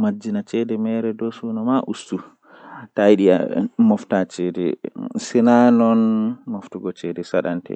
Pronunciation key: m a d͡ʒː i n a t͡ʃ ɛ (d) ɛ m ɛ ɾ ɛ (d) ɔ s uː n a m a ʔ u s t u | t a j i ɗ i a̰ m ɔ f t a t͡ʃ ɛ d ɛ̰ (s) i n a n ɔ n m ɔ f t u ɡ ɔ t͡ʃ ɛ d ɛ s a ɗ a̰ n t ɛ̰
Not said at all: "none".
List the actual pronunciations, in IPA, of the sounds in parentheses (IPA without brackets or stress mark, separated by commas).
d, d, s